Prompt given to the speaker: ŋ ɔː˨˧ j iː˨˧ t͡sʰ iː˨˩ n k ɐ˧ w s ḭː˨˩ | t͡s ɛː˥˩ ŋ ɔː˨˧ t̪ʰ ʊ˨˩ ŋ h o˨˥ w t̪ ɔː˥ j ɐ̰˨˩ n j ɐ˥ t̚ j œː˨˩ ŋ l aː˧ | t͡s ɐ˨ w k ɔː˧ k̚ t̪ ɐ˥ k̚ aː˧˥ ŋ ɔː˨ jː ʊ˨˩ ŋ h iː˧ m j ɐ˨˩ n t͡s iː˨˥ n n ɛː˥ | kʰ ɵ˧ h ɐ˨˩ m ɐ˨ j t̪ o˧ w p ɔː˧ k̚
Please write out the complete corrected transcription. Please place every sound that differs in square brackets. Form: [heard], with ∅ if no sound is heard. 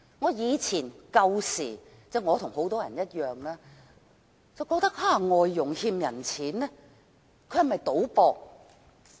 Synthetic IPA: ŋ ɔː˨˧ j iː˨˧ t͡sʰ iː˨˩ n k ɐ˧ w s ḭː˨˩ | t͡s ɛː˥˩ ŋ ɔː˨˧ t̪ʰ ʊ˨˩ ŋ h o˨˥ w t̪ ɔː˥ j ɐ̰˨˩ n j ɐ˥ t̚ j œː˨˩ ŋ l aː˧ | t͡s ɐ˨ w k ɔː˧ k̚ t̪ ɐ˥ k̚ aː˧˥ ŋ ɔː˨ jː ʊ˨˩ ŋ h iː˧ m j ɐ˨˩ n [t͡sʰ] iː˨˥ n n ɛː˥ | kʰ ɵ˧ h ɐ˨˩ m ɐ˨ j t̪ [o˨˥] w p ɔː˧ k̚